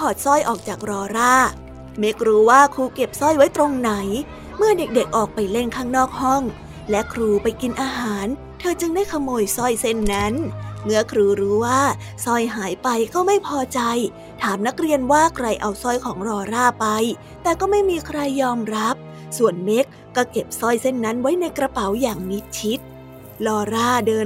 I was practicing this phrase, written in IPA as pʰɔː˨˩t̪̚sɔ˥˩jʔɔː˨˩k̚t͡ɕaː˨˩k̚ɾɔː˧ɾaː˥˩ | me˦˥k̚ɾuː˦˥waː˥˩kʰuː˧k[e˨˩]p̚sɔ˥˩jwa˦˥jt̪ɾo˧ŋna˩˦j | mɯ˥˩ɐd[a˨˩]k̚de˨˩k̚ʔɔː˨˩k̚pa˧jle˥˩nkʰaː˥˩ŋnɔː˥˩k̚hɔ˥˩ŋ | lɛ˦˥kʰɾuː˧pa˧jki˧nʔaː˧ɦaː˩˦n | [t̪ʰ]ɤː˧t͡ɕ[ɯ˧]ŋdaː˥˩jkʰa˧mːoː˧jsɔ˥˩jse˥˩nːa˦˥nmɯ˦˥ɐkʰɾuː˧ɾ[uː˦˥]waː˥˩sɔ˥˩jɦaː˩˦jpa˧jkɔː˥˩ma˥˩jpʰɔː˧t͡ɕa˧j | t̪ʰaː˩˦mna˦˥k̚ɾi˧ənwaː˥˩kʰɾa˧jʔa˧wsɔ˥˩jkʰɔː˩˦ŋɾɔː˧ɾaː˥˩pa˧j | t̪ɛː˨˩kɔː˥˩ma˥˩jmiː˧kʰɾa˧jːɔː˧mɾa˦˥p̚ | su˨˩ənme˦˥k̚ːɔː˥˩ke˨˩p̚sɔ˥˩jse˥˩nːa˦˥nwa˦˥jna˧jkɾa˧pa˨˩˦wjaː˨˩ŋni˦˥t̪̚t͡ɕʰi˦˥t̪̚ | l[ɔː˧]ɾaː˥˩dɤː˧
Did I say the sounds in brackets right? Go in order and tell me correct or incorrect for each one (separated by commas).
correct, incorrect, correct, correct, correct, correct